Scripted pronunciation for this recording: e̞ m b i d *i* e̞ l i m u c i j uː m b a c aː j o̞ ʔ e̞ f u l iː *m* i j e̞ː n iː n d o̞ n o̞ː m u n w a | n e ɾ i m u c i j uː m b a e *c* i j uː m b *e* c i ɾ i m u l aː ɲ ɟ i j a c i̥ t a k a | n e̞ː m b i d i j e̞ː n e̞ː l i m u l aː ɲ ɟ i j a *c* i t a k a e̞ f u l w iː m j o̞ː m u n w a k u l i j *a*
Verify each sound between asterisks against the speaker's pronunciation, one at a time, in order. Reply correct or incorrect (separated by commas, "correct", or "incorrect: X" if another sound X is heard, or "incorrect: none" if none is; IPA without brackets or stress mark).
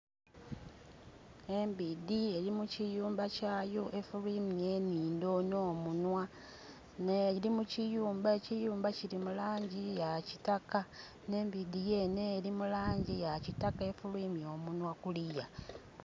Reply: correct, correct, correct, incorrect: a, correct, correct